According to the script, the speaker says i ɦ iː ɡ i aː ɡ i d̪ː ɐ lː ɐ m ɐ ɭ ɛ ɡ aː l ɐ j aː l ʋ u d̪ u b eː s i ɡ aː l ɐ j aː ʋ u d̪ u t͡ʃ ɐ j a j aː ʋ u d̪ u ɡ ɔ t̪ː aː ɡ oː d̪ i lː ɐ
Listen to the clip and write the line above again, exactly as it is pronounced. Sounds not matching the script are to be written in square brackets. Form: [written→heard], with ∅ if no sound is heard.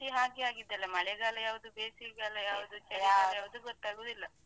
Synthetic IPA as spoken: i ɦ [iː→aː] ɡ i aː ɡ i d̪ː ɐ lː ɐ m ɐ ɭ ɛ ɡ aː l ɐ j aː [l→∅] ʋ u d̪ u b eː s i ɡ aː l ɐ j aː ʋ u d̪ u t͡ʃ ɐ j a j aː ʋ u d̪ u ɡ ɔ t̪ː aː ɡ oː d̪ i lː ɐ

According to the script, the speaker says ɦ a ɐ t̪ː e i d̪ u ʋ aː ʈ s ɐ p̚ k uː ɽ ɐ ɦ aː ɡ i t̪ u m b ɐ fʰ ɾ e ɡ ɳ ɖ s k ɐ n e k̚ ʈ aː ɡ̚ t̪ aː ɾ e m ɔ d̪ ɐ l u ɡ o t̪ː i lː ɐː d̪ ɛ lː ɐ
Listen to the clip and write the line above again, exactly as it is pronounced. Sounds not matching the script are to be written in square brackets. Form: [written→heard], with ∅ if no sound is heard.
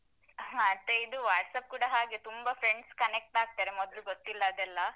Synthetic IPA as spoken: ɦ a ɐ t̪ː e i d̪ u ʋ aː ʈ s ɐ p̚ k uː ɽ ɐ ɦ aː ɡ [i→e] t̪ u m b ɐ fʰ ɾ e [ɡ→∅] ɳ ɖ s k ɐ n e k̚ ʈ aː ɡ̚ t̪ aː ɾ e m ɔ d̪ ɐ l u ɡ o t̪ː i lː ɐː d̪ ɛ lː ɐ

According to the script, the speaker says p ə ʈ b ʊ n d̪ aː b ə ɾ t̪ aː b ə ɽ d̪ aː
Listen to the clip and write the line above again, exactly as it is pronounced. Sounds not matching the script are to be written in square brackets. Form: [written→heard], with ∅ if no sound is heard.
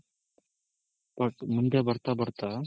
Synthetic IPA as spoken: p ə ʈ [b→m] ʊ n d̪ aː b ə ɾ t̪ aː b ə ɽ [d̪→t̪] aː

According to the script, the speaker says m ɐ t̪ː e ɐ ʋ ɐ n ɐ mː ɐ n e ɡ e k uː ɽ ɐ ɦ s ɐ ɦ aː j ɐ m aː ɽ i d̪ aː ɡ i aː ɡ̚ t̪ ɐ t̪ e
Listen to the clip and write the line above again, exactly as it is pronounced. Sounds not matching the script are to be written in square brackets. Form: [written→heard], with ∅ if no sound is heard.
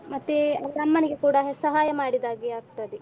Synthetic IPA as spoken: m ɐ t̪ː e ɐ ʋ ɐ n ɐ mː ɐ n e ɡ e k uː ɽ ɐ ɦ s ɐ ɦ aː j ɐ m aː ɽ i d̪ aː ɡ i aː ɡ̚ t̪ ɐ [t̪→d̪] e

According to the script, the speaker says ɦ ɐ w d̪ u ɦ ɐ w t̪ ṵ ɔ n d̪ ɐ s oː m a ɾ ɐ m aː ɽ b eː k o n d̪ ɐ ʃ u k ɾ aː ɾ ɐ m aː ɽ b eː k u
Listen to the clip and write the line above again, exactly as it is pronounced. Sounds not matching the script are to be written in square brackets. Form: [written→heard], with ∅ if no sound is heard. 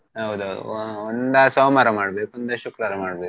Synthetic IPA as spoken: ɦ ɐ w d̪ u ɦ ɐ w [t̪→d̪] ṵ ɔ n d̪ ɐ s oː m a ɾ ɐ m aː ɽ b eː k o n d̪ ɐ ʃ u k ɾ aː ɾ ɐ m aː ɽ b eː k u

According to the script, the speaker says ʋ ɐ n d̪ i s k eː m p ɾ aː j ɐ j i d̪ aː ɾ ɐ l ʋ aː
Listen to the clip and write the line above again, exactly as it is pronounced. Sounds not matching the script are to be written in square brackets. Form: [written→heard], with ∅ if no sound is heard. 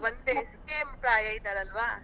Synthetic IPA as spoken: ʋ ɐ n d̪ [i→e] s k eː m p ɾ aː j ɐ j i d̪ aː ɾ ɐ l ʋ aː

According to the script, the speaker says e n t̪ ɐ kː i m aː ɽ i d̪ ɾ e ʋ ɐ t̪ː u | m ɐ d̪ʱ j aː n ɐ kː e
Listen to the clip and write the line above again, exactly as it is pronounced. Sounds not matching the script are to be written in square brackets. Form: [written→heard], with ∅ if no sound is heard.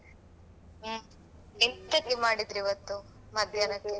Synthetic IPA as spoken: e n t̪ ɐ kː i m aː ɽ i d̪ ɾ [e→i] ʋ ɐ t̪ː u | m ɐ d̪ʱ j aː n ɐ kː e

